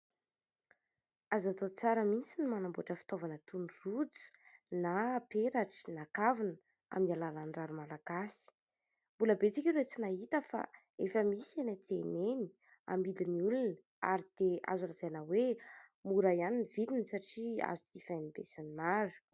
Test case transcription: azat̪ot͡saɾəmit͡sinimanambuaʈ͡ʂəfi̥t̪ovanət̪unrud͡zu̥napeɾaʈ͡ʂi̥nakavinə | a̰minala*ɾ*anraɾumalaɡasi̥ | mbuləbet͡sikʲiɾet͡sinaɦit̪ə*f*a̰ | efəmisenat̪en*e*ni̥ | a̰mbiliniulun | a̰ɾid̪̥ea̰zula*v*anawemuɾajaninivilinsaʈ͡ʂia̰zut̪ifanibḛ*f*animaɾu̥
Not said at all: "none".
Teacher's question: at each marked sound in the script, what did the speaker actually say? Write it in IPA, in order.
l, f, e, z, s

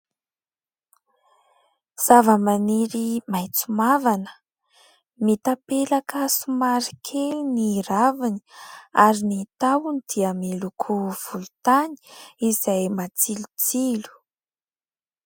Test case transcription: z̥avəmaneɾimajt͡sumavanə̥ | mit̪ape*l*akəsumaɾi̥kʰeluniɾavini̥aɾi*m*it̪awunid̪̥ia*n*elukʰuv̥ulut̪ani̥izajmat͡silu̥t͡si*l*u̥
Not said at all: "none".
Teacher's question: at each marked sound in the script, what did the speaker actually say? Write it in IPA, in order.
l, n, m, l

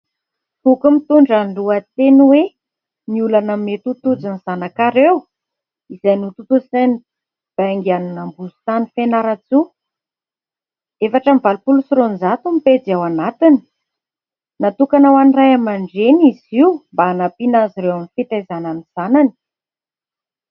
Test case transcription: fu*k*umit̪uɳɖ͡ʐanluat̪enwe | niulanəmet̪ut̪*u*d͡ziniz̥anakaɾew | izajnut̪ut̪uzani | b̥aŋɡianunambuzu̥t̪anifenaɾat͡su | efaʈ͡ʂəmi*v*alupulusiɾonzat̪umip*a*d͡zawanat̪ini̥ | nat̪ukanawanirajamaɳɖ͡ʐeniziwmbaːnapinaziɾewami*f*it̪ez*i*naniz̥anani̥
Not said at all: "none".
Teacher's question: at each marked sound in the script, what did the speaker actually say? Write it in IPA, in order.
k, u, v, e, f, a

